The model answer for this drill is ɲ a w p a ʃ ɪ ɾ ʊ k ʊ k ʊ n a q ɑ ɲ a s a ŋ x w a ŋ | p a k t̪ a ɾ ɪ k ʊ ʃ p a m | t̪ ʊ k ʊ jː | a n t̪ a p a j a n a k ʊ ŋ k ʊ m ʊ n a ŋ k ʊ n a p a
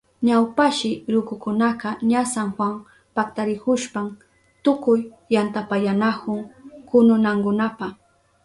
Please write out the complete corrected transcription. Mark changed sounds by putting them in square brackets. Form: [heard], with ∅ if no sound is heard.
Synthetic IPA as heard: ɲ a w p a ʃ ɪ ɾ ʊ k ʊ k ʊ n a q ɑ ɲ a s a ŋ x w a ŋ | p a k t̪ a ɾ ɪ k ʊ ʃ p a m | t̪ ʊ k ʊ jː | a n t̪ a p a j a n a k ʊ ŋ k ʊ [n] ʊ n a ŋ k ʊ n a p a